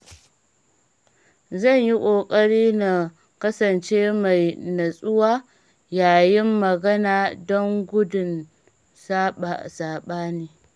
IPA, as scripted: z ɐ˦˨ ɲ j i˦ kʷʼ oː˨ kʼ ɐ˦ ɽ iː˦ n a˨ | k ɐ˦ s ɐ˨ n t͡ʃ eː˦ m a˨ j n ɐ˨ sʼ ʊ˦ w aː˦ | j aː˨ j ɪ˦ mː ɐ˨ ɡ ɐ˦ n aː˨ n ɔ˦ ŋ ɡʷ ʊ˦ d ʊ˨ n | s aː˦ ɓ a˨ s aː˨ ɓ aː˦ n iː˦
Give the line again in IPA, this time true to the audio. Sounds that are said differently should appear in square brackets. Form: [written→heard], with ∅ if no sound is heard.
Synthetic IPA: z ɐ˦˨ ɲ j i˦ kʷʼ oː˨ kʼ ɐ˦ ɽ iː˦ n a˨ | k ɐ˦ s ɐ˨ n t͡ʃ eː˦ m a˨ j n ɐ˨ sʼ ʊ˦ w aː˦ | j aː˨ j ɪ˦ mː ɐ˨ ɡ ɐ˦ n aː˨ [n→d] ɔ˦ ŋ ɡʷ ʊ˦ d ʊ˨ n | s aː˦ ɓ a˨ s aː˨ ɓ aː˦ n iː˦